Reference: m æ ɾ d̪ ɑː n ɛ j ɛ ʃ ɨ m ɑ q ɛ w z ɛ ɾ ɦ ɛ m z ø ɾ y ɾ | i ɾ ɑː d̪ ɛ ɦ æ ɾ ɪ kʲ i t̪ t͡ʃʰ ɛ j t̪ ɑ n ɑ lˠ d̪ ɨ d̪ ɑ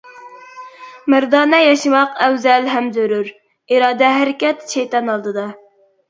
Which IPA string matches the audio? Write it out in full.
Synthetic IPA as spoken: m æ ɾ d̪ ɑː n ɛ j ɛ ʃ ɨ m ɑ q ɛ w z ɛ l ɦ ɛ m z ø ɾ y ɾ | i ɾ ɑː d̪ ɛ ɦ æ ɾ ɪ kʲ ɛ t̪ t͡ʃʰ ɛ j t̪ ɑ n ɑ lˠ d̪ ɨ d̪ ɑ